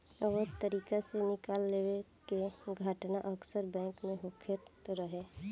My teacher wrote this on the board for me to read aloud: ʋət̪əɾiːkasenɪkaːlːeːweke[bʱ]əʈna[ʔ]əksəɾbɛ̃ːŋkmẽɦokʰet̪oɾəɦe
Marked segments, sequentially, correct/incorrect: incorrect: ɡʱ, correct

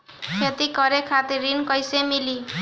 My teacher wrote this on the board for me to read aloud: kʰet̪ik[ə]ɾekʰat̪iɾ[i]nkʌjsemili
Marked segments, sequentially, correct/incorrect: incorrect: ʌ, correct

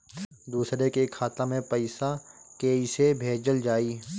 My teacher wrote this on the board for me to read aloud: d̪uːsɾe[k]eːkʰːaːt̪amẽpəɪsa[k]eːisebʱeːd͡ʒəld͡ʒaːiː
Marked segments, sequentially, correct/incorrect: correct, correct

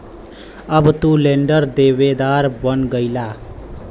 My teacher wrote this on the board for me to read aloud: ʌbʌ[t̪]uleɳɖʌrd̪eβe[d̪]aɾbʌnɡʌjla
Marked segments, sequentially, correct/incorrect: correct, correct

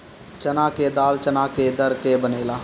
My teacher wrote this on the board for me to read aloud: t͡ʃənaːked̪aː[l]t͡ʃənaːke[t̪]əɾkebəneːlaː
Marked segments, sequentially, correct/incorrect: correct, incorrect: d̪

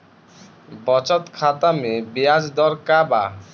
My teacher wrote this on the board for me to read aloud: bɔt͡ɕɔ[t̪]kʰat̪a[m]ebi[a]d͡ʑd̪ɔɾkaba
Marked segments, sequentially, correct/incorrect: correct, correct, correct

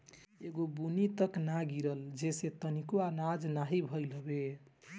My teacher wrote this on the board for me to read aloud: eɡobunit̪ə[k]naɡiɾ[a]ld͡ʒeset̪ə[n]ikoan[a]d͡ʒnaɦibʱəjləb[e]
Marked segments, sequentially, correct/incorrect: correct, incorrect: ə, correct, correct, correct

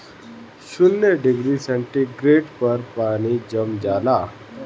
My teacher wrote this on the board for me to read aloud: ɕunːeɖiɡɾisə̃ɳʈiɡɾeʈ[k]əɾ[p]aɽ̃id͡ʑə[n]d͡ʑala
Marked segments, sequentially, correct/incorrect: incorrect: p, correct, incorrect: m

